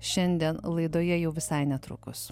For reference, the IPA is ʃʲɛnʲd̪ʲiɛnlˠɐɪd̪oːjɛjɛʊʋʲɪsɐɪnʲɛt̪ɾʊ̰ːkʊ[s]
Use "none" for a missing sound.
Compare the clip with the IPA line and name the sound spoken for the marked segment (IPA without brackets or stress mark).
s